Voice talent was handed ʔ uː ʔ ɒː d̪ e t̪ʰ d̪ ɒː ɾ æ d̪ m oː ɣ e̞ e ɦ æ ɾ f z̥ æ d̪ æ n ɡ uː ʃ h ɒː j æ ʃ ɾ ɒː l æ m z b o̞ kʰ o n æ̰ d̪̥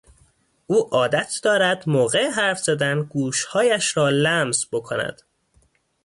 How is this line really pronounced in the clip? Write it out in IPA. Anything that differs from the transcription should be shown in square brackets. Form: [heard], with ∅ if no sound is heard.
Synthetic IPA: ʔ uː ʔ ɒː d̪ [æ] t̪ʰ d̪ ɒː ɾ æ d̪ m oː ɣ e̞ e ɦ æ ɾ f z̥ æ d̪ æ n ɡ uː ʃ h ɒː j æ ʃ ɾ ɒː l æ m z b o̞ kʰ o n æ̰ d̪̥